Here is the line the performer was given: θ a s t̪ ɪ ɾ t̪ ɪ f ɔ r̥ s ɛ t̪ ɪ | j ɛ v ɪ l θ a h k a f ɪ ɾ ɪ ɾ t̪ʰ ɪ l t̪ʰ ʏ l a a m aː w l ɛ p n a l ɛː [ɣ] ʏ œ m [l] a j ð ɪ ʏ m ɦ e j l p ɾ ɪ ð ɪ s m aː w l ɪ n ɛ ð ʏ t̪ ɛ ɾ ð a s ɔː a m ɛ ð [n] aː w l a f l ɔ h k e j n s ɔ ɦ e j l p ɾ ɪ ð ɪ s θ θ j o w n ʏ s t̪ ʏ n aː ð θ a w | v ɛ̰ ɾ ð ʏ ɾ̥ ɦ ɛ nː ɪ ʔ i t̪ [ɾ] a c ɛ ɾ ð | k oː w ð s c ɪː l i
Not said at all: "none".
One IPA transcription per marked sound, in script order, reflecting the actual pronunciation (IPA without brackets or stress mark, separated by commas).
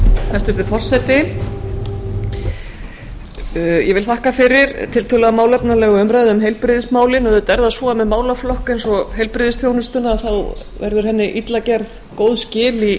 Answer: ɣ, ɾ, m, l